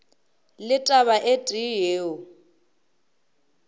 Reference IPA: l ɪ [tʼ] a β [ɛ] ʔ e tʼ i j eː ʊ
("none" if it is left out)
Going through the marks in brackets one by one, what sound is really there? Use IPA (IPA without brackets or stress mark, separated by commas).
tʼ, a